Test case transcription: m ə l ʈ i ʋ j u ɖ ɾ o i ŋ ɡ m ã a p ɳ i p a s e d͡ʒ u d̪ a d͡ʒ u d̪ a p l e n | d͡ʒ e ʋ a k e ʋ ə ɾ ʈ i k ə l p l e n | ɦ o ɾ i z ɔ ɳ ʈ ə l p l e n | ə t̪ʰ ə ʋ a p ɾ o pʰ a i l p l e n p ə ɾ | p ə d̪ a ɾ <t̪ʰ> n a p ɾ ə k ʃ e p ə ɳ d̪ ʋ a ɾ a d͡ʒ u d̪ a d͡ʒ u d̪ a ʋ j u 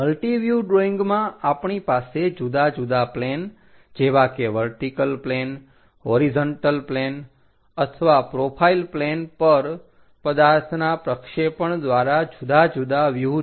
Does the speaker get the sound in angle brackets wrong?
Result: no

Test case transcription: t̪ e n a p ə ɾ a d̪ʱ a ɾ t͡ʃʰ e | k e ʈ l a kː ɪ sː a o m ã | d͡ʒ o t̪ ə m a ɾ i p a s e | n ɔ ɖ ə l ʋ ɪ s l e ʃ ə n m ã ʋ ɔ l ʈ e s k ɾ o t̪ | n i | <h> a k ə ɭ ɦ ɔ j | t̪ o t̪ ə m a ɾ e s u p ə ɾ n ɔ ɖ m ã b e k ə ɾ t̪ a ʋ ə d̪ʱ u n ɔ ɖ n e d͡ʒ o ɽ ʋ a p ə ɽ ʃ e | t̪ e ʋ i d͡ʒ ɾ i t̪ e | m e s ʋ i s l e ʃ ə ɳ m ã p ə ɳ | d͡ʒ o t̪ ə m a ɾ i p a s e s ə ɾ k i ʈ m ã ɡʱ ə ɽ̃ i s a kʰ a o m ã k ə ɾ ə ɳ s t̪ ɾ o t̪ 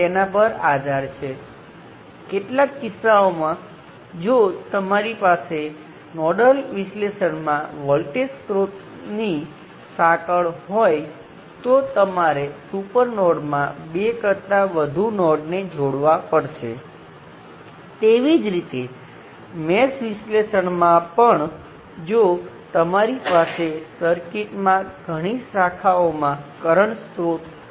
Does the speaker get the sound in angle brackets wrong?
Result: yes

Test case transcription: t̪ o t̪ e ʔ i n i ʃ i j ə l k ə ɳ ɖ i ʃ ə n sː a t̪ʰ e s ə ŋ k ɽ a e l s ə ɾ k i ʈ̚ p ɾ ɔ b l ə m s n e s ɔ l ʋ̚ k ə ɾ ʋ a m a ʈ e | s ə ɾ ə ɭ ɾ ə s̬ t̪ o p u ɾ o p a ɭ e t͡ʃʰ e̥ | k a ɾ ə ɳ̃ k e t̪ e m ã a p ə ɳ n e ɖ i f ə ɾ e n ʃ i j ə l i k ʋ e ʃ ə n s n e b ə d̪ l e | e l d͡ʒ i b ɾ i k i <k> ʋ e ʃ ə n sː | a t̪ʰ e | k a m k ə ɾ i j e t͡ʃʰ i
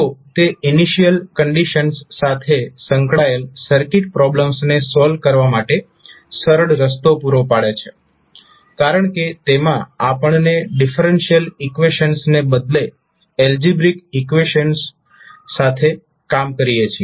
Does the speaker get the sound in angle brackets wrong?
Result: no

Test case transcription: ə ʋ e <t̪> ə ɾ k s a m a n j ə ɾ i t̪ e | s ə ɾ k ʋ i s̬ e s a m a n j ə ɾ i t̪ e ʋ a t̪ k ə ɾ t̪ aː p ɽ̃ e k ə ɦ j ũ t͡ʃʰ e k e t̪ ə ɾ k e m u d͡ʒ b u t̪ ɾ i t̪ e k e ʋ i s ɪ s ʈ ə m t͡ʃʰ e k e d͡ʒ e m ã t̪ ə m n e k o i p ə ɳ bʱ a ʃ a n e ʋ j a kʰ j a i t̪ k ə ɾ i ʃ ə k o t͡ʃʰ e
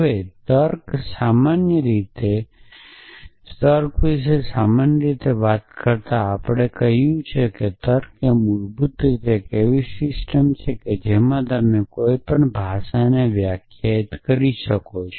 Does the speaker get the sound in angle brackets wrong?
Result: no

